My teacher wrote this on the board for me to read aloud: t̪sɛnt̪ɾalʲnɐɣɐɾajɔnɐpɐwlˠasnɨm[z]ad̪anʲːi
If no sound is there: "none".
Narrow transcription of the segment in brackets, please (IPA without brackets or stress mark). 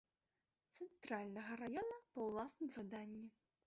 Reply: z